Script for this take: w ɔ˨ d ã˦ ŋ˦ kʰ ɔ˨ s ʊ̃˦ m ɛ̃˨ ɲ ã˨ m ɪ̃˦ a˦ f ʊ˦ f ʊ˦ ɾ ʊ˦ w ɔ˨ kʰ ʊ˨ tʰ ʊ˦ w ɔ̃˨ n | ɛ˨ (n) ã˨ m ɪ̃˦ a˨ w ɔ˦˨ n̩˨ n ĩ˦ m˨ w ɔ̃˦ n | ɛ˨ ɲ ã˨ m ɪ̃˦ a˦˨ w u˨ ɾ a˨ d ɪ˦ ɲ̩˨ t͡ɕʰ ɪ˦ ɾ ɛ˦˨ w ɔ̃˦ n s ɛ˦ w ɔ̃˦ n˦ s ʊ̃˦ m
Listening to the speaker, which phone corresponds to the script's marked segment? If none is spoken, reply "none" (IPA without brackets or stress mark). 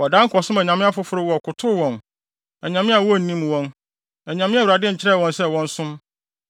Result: ɲ